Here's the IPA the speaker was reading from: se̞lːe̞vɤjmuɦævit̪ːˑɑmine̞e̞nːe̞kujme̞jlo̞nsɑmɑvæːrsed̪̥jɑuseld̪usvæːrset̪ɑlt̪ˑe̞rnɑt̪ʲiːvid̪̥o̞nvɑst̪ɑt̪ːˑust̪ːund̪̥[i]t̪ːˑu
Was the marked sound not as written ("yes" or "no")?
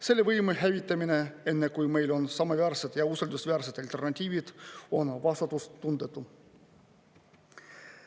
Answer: yes